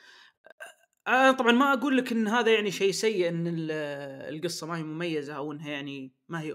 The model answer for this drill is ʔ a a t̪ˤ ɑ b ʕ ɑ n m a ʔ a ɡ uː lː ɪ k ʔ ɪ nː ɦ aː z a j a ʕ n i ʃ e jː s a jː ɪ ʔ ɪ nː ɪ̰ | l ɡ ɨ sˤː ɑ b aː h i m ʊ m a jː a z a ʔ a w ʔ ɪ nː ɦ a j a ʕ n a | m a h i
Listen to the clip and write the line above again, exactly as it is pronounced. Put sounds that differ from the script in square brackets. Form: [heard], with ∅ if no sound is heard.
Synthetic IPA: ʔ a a t̪ˤ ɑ b ʕ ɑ n m a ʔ a ɡ uː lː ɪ k ʔ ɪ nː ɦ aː [ð] a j a ʕ n i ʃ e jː s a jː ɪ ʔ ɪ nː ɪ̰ | l ɡ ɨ sˤː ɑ [m] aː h i m ʊ m a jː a z a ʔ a w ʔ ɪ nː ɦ a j a ʕ n [i] | m a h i